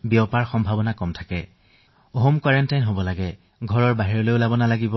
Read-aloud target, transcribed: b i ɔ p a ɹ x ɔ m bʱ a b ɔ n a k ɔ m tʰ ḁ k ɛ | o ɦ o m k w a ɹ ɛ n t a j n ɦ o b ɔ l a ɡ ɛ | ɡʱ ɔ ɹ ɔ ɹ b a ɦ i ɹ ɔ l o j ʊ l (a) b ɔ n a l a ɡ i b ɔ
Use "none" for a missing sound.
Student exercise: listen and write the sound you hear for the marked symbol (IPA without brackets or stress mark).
a